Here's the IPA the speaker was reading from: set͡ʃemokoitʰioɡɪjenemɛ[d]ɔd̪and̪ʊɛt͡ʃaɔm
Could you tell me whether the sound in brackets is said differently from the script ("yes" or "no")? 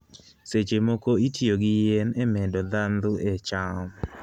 no